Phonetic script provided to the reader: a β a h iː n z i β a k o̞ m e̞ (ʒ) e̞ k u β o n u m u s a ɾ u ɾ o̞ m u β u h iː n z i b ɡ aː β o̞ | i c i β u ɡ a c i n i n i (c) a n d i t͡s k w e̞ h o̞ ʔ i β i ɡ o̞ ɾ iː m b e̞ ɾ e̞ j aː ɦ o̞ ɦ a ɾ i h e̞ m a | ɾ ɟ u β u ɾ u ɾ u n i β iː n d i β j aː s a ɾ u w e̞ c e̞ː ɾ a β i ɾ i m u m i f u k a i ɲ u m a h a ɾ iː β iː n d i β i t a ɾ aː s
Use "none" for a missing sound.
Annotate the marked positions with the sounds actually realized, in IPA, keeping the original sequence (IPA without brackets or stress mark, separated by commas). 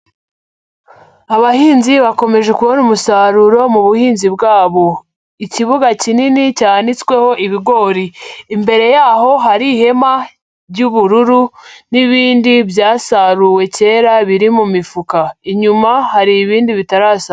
ʒ, c